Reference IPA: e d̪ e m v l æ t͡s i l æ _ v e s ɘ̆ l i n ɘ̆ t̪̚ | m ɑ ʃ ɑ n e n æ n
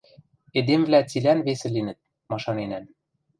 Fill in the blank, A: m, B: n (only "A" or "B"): B